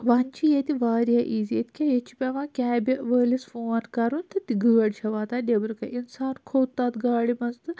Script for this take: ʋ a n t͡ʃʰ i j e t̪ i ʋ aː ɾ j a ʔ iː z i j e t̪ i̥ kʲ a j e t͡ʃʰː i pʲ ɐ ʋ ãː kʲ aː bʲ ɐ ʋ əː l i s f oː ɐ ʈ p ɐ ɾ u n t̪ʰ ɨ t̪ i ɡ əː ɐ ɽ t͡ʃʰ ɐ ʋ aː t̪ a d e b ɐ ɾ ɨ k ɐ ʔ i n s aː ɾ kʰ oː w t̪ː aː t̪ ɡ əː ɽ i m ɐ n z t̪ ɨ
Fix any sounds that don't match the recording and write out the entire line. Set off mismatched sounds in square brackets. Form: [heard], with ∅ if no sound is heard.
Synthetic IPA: ʋ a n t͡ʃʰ i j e t̪ i ʋ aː ɾ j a ʔ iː z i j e t̪ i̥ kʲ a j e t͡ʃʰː i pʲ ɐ ʋ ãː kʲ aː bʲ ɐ ʋ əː l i s f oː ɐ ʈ [k] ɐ ɾ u n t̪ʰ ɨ t̪ i ɡ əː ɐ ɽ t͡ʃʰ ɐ ʋ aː t̪ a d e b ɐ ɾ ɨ k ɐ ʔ i n s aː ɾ kʰ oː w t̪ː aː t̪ ɡ [aː] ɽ i m ɐ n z t̪ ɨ